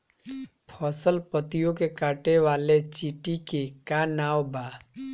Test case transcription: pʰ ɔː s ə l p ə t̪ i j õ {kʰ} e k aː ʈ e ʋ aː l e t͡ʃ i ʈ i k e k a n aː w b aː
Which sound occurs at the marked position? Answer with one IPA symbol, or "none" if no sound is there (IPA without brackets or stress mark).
k